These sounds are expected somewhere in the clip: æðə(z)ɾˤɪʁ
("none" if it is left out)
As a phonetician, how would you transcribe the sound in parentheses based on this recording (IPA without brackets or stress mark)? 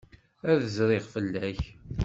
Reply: z